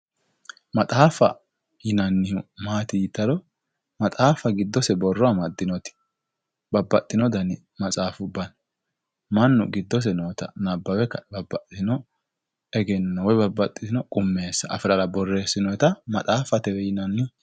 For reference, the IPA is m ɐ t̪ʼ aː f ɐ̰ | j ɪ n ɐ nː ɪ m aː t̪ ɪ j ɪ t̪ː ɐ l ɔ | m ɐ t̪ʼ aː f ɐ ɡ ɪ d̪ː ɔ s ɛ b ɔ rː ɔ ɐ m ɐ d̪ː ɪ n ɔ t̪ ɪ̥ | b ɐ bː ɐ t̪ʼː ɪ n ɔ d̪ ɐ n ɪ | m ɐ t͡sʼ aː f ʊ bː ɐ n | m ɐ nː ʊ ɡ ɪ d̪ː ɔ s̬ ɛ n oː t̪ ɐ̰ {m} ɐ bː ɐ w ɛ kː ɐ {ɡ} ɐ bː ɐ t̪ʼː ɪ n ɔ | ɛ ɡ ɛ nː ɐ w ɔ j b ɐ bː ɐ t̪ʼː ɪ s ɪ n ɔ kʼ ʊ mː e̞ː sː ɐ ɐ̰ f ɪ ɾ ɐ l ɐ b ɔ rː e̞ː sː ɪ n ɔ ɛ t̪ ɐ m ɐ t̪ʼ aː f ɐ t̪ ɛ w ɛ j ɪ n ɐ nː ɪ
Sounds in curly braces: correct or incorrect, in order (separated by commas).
incorrect, incorrect